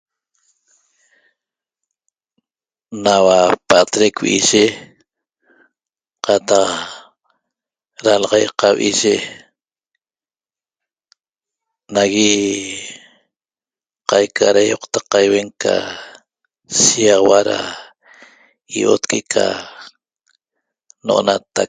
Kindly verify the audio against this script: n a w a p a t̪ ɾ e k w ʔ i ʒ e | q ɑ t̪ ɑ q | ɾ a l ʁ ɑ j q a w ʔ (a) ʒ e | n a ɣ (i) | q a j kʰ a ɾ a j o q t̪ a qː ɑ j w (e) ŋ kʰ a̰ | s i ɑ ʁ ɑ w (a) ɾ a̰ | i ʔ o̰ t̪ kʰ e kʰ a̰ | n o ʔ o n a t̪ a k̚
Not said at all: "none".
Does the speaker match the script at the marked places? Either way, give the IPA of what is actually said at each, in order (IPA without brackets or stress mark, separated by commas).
i, i, e, a